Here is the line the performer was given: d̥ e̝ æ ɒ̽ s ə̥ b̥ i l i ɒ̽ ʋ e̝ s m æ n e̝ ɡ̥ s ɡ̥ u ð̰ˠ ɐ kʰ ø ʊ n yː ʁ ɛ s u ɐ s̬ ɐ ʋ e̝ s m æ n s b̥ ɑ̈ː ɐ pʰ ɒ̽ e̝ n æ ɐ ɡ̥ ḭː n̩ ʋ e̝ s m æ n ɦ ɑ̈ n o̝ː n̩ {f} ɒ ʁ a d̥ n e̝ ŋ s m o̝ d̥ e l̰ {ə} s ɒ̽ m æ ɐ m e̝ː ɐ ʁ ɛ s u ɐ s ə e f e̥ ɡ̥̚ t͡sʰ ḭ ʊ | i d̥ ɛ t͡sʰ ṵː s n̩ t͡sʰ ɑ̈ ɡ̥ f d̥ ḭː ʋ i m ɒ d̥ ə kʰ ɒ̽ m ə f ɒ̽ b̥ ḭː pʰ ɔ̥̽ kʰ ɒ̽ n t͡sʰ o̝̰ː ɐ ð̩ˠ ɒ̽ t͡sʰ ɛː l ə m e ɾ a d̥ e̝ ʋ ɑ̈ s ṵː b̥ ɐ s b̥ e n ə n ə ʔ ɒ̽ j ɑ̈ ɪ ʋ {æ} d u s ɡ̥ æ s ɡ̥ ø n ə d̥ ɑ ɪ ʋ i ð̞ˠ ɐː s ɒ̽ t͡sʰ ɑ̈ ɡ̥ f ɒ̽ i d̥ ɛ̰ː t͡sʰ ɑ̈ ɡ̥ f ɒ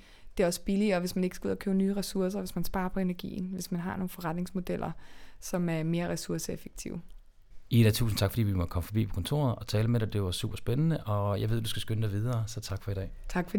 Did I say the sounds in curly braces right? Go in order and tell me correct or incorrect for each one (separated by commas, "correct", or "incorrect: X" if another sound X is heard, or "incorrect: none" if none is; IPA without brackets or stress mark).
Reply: correct, incorrect: ɐ, incorrect: e